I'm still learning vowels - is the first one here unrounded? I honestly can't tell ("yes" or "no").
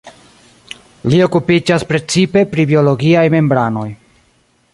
yes